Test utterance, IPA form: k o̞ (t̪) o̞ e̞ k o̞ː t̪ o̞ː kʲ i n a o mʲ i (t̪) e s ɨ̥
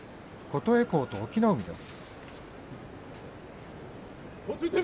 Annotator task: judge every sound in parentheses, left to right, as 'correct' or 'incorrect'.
correct, incorrect: d̪

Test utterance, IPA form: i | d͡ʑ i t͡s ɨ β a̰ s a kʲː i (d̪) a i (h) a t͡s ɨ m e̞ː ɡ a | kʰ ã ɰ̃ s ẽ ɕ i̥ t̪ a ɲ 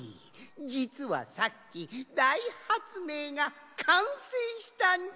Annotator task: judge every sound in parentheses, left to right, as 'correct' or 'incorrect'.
correct, correct

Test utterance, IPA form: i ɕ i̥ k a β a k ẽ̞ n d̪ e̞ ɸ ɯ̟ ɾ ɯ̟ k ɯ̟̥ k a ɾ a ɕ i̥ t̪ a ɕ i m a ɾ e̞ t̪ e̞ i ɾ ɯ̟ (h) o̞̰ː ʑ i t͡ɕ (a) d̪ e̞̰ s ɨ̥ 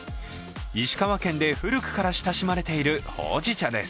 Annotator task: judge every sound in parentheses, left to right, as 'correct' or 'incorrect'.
correct, correct

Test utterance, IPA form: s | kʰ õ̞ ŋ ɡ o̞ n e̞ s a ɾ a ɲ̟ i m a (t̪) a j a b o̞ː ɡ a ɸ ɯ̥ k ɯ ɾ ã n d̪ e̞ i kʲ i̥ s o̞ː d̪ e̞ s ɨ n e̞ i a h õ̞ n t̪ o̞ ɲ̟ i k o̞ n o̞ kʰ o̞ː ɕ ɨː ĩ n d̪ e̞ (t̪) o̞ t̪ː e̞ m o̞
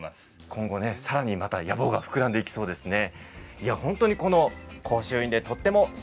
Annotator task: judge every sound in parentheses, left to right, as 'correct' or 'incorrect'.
correct, correct

